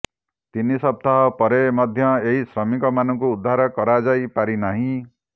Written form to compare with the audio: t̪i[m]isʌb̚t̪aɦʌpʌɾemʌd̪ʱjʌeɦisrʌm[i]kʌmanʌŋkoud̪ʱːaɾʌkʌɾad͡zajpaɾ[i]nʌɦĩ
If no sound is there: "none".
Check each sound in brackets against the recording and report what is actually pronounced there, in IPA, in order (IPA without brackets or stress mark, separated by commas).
n, i, i